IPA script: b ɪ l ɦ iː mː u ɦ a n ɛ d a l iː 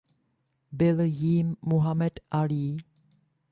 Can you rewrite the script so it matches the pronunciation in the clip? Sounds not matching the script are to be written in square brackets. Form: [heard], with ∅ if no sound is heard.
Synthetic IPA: b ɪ l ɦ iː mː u ɦ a [m] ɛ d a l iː